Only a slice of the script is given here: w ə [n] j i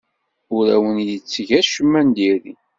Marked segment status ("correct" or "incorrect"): correct